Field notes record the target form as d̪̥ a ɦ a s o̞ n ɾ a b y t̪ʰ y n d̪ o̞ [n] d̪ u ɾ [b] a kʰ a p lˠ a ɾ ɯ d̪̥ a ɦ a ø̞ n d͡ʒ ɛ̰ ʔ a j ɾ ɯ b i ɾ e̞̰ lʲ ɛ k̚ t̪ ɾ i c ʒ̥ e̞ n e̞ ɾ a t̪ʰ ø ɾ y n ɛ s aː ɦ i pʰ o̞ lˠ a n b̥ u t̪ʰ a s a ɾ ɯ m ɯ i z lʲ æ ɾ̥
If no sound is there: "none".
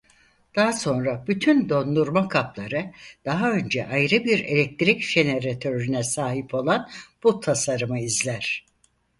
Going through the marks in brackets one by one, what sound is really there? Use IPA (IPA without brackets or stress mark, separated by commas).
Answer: n, m